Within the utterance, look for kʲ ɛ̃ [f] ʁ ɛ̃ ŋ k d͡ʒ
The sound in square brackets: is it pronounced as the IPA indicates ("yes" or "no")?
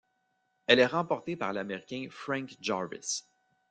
yes